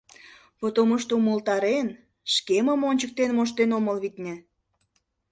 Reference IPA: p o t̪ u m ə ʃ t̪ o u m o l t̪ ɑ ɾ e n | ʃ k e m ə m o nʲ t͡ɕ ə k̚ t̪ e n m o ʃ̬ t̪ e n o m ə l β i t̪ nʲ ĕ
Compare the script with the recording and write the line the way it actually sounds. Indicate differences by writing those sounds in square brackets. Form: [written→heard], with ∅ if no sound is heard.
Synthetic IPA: p o t̪ [u→o] m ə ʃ t̪ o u m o l t̪ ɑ ɾ e n | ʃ k e m ə m o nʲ t͡ɕ ə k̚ t̪ e n m o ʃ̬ t̪ e n o m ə l β i t̪ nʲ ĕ

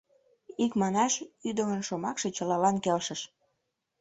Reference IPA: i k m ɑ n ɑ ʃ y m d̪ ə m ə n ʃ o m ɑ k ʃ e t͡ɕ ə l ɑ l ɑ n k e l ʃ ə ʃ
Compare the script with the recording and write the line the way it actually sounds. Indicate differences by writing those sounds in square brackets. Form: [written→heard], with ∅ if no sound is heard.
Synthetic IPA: i k m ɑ n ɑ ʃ y [m→∅] d̪ ə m ə n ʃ o m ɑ k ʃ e t͡ɕ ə l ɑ l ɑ n k e l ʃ ə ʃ

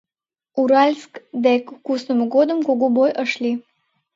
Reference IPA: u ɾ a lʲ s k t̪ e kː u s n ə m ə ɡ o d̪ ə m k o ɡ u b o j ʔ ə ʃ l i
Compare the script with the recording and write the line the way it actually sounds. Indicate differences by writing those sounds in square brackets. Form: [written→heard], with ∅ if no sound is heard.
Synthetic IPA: u ɾ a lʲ s k [t̪→d̪] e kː u s n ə m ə ɡ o d̪ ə m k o ɡ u b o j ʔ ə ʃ l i

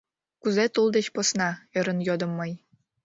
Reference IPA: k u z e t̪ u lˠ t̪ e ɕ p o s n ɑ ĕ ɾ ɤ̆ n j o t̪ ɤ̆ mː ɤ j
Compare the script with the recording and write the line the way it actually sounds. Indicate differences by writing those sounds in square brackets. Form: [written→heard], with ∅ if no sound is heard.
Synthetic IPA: k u z e t̪ u lˠ [t̪→d̪] e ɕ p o s n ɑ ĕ ɾ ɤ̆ n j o [t̪→d̪] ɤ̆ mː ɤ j

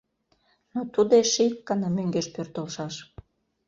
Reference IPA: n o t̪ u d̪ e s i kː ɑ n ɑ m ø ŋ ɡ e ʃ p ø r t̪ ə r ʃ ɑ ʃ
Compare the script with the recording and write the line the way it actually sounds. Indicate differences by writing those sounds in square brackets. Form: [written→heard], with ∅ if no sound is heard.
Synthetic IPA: n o t̪ u d̪ e [s→ʃ] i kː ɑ n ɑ m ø ŋ ɡ e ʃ p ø r t̪ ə [r→l] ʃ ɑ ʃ

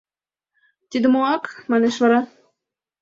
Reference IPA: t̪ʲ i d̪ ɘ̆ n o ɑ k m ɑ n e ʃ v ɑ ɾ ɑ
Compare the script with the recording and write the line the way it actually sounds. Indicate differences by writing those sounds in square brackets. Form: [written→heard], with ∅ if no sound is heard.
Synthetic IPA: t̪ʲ i d̪ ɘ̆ [n→m] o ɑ k m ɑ n e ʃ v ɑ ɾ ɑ

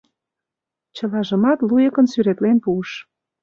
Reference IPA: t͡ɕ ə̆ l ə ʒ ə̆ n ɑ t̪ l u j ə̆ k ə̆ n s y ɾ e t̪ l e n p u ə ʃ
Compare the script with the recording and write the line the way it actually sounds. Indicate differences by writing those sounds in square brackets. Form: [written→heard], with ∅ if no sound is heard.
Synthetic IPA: t͡ɕ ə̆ l [ə→ɑ] ʒ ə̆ [n→m] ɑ t̪ l u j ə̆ k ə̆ n s y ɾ e t̪ l e n p u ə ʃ

